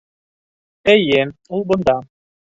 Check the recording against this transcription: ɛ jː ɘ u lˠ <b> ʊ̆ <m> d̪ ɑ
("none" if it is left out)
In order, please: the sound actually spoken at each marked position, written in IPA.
b, n

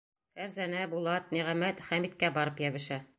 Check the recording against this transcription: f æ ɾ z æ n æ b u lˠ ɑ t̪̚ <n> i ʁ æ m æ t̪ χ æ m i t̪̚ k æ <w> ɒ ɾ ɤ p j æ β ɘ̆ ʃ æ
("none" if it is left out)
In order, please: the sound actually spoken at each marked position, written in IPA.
n, b

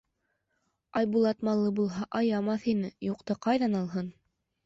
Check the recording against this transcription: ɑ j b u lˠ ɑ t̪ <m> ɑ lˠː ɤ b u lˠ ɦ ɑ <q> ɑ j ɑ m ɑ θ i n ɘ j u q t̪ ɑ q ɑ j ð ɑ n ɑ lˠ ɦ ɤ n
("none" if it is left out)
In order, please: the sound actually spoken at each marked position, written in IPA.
m, ʔ

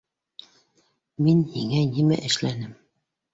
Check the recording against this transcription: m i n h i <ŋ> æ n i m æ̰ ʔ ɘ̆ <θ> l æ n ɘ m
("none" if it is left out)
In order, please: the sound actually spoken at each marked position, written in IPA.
ŋ, ʃ

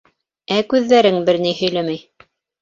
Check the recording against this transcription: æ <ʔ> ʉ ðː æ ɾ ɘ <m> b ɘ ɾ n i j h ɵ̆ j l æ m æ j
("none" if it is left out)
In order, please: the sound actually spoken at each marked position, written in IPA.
k, ŋ

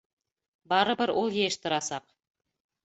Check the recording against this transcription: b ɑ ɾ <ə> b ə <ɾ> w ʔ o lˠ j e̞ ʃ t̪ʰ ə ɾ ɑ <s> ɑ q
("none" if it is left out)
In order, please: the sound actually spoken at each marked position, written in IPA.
ə, ɾ, s

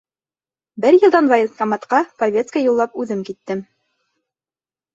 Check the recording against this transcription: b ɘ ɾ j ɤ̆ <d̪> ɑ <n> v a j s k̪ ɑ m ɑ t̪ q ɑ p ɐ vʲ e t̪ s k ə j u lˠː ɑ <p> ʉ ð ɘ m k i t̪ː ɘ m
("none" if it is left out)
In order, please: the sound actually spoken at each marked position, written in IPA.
d̪, n, p

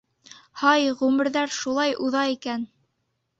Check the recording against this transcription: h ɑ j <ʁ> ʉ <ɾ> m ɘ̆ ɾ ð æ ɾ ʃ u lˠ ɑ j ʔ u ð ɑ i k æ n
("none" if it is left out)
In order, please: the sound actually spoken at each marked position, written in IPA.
ʁ, none

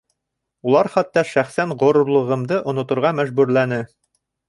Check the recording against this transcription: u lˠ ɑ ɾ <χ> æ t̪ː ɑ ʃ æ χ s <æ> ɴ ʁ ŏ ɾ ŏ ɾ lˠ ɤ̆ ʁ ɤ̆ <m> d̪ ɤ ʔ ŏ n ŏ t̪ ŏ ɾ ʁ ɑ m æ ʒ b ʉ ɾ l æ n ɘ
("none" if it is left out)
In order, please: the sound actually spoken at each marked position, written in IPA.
χ, æ, m

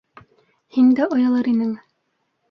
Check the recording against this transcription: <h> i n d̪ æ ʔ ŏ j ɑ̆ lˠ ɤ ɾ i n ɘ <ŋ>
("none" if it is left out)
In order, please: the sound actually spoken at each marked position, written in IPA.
h, ŋ

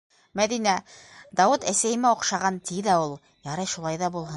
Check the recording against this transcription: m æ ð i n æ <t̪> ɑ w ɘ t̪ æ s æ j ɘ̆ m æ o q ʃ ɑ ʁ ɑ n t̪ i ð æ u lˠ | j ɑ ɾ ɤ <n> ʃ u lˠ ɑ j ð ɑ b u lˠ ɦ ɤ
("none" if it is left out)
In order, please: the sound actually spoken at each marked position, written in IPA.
d̪, none

